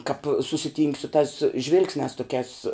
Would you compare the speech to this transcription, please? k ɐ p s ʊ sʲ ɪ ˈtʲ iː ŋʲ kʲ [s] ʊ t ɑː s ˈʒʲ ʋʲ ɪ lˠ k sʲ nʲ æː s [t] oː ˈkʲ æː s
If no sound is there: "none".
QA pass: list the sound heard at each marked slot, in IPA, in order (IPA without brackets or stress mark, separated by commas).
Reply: s, t